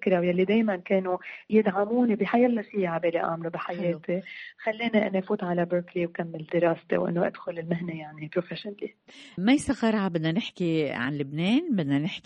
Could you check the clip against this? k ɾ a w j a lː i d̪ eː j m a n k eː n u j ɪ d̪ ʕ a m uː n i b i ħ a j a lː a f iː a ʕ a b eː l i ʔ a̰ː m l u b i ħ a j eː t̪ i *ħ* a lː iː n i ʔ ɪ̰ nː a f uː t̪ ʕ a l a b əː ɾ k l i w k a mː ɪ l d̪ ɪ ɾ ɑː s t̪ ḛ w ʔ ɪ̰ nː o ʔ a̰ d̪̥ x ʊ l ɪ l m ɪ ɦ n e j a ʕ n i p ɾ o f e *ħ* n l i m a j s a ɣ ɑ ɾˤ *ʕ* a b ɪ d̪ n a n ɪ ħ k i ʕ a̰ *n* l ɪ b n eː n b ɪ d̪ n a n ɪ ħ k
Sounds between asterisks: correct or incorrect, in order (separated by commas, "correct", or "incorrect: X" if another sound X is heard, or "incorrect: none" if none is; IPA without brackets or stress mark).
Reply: incorrect: x, incorrect: ʃ, correct, correct